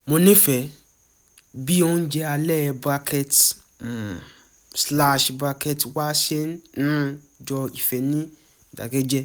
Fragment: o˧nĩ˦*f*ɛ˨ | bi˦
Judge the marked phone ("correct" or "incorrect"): correct